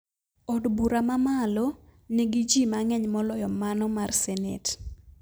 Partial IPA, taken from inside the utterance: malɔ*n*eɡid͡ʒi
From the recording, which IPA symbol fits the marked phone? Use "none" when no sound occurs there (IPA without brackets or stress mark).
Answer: n